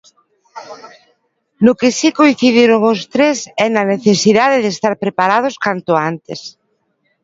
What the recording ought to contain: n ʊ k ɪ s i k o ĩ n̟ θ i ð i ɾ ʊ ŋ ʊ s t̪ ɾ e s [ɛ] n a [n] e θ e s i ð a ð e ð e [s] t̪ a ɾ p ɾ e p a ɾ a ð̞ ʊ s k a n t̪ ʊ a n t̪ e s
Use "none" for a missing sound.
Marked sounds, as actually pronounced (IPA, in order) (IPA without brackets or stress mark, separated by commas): ɛ, n, s